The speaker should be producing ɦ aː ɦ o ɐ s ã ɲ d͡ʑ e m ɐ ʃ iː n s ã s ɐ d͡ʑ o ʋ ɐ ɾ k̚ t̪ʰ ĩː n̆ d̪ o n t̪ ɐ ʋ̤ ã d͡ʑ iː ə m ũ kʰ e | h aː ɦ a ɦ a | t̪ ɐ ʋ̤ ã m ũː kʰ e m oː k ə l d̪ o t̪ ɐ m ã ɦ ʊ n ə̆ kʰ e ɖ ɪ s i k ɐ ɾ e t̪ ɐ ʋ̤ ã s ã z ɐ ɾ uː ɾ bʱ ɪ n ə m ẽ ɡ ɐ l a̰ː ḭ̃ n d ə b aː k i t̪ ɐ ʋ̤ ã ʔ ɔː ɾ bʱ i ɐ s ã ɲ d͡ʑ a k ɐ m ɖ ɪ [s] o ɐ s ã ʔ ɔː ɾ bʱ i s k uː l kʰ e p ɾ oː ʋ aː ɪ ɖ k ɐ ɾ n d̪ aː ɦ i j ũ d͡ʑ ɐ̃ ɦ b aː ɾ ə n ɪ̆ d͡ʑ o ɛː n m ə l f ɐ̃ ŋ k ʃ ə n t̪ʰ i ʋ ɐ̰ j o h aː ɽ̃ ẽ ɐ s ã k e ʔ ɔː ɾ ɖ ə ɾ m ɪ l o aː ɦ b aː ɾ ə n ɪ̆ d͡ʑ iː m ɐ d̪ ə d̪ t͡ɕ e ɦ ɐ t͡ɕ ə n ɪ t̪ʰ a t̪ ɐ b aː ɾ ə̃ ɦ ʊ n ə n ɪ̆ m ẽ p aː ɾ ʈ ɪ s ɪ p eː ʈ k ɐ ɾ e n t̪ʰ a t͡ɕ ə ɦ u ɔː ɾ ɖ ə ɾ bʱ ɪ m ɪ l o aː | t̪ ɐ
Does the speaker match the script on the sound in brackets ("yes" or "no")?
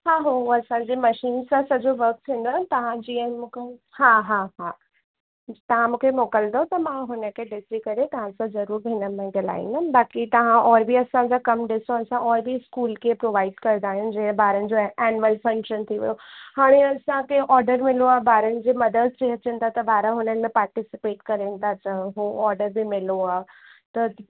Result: yes